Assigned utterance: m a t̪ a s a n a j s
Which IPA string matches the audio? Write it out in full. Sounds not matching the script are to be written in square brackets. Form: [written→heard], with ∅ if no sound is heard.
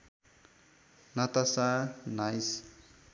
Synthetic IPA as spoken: [m→n] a t̪ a s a n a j s